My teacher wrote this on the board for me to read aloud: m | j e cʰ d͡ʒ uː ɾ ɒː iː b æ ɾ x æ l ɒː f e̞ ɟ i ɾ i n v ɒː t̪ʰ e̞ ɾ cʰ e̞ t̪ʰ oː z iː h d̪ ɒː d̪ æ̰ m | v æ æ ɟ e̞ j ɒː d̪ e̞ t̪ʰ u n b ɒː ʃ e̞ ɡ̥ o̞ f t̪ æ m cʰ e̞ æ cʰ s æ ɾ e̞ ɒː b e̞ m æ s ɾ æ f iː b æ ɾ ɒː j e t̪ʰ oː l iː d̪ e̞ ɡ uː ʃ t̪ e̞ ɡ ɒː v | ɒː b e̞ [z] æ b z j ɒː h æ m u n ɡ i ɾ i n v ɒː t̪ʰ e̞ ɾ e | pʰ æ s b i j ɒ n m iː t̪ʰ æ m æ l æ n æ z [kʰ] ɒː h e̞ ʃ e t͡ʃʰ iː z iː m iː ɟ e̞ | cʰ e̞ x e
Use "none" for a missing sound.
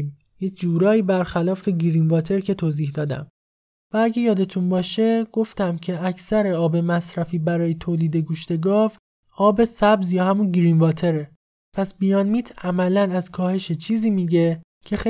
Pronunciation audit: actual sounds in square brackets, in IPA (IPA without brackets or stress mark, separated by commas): s, kʰ